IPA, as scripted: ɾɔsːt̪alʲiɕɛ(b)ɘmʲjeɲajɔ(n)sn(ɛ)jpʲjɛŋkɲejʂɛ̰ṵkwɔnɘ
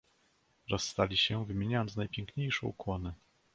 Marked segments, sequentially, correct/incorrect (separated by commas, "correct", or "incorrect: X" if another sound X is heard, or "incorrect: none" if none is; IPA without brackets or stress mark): incorrect: v, correct, incorrect: a